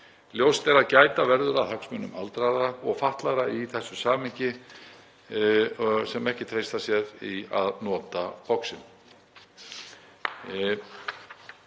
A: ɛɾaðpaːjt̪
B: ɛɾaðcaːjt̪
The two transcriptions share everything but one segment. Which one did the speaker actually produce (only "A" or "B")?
B